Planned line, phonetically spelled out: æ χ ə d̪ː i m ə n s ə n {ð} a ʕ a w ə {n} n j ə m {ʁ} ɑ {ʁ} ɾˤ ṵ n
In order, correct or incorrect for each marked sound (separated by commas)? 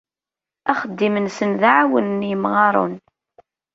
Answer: correct, correct, correct, incorrect